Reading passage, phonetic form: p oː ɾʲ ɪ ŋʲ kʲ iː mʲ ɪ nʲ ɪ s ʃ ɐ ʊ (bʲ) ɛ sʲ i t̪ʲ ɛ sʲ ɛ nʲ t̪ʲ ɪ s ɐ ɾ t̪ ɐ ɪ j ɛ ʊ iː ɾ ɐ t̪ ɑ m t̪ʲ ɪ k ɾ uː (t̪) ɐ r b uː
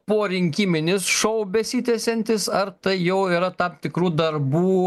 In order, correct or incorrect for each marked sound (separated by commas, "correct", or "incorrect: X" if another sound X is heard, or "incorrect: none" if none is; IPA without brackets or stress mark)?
correct, incorrect: d̪